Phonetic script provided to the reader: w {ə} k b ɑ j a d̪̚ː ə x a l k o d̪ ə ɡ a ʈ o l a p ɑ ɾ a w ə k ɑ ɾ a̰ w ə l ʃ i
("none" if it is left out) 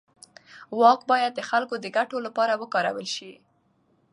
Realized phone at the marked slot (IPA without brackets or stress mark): ɑ